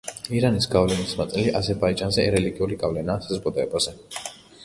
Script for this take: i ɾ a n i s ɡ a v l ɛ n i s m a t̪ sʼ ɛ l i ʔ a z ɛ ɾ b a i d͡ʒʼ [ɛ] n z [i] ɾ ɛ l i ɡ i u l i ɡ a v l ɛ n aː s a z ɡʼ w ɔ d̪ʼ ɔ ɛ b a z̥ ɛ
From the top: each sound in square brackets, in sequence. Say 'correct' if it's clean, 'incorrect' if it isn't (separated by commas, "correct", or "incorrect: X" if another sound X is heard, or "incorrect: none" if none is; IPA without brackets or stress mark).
incorrect: a, incorrect: ɛ